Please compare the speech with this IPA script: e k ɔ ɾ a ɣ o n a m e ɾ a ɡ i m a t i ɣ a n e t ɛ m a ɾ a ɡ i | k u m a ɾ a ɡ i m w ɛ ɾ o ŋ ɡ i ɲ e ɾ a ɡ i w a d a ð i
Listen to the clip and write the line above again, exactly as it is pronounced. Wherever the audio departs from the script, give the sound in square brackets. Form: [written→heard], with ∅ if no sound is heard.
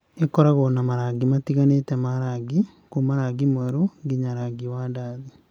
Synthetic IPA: e k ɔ ɾ a ɣ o n a m [e→a] ɾ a ɡ i m a t i ɣ a n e t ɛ m a ɾ a ɡ i | k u m a ɾ a ɡ i m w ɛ ɾ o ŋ ɡ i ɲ [e→a] ɾ a ɡ i w a d a ð i